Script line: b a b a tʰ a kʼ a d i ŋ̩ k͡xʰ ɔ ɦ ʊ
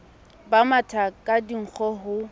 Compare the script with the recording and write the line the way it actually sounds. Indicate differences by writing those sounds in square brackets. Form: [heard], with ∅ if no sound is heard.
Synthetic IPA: b a [m] a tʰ a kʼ a d i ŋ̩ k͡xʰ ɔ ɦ ʊ